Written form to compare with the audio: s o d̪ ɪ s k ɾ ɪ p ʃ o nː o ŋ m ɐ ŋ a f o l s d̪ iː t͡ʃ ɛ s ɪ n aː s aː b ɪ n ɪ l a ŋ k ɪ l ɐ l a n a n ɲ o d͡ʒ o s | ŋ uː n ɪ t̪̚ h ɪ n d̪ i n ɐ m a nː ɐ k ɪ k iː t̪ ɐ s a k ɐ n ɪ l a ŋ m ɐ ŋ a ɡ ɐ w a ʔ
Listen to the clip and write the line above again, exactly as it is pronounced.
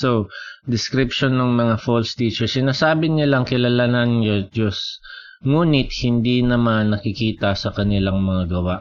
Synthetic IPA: s o d̪ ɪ s k ɾ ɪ p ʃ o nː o ŋ m ɐ ŋ a f o l s t̪ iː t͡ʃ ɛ s ɪ n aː s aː b ɪ n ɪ l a ŋ k ɪ l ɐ l a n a n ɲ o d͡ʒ o s | ŋ uː n ɪ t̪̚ h ɪ n d̪ i n ɐ m a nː ɐ k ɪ k iː t̪ ɐ s ɐ k ɐ n ɪ l a ŋ m ɐ ŋ a ɡ ɐ w a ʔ